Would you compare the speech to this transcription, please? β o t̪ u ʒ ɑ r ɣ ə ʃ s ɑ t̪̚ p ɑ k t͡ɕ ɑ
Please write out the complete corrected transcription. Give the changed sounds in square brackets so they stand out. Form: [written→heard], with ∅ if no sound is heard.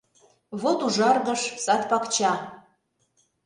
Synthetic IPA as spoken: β o t̪ u ʒ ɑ r ɣ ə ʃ s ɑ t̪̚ p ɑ k t͡ɕ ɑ